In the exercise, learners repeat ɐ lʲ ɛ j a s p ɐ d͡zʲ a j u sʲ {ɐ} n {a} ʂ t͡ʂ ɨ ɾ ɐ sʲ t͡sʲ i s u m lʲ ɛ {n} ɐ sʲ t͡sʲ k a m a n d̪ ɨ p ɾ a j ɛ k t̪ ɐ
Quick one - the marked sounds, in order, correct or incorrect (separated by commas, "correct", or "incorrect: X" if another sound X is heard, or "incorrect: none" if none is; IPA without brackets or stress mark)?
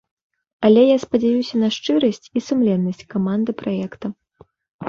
correct, incorrect: ɐ, incorrect: nː